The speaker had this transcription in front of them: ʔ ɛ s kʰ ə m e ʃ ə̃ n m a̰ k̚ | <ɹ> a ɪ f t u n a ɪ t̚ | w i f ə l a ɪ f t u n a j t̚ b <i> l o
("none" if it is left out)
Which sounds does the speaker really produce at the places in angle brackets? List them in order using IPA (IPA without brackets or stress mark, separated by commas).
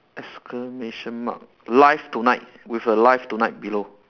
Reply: l, i